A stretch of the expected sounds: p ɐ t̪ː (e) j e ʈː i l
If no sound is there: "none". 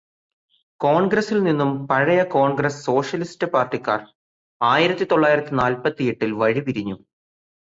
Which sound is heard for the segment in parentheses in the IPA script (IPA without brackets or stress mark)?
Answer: i